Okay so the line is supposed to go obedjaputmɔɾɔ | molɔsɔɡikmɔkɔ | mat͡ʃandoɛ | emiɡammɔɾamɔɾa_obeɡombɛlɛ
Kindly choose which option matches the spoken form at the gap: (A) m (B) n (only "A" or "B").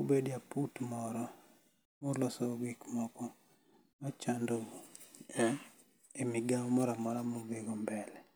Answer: A